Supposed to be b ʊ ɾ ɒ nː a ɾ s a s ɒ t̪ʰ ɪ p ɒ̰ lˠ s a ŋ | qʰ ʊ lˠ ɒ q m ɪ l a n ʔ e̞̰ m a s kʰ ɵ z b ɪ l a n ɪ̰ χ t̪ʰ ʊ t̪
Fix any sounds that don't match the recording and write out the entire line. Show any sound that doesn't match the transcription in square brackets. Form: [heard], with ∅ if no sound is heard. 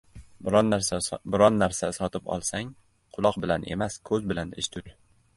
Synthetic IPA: b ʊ ɾ ɒ nː a ɾ s a s ɒ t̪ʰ ɪ p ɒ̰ lˠ s a ŋ | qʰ ʊ lˠ ɒ q [b] ɪ l a n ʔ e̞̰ m a s kʰ ɵ z b ɪ l a n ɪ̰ [ʃ] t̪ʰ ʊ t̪